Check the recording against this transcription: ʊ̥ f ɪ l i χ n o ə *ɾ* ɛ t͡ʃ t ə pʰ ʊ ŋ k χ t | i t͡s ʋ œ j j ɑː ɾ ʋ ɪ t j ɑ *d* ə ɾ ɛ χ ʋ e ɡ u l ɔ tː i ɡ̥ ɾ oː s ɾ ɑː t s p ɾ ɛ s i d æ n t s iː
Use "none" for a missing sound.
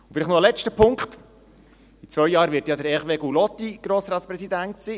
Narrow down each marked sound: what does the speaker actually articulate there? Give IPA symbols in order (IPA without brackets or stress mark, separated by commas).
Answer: l, d